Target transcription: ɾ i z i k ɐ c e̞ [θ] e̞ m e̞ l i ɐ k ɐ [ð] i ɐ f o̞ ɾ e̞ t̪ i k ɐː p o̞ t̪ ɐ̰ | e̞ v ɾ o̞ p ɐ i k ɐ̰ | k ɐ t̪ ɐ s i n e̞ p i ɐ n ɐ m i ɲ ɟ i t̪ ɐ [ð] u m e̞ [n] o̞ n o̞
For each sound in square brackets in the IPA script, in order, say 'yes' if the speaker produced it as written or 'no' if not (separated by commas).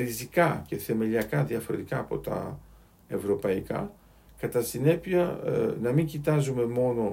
yes, yes, no, no